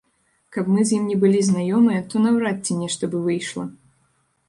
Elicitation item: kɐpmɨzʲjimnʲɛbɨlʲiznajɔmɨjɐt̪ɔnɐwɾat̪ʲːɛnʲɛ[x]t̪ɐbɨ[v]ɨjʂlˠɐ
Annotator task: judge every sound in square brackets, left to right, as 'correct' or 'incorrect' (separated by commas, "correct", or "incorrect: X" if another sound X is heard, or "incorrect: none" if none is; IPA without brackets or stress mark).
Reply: incorrect: ʂ, correct